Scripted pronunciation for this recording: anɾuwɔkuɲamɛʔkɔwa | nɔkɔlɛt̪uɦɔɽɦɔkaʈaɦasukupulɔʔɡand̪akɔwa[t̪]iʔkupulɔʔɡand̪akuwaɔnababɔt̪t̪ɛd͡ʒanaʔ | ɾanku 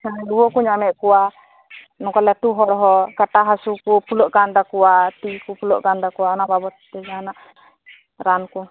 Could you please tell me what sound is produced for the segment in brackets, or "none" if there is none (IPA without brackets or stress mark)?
t̪